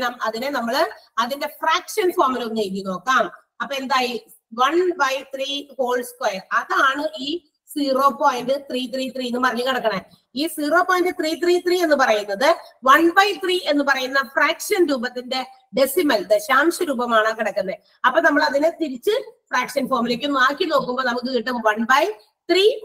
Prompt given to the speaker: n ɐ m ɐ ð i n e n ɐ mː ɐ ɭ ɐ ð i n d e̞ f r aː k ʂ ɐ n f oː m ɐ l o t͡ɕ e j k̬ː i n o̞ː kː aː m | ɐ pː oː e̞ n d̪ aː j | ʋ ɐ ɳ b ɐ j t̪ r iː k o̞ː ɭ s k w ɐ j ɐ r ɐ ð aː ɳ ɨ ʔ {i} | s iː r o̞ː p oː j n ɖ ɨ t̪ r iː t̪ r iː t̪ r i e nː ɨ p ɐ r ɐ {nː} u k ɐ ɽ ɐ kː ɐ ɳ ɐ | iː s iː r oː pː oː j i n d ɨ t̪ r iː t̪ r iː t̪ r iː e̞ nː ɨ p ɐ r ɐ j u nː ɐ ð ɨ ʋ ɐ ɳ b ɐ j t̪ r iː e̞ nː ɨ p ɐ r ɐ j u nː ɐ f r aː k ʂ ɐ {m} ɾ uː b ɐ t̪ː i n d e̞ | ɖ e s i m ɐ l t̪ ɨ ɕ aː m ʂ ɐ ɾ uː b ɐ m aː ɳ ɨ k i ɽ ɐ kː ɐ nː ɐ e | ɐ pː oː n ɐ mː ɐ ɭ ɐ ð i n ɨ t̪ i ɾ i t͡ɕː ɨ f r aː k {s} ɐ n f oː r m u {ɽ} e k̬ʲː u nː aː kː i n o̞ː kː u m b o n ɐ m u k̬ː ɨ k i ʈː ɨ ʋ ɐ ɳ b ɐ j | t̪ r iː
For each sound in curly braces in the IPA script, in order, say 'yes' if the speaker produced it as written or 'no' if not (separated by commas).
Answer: no, no, no, no, no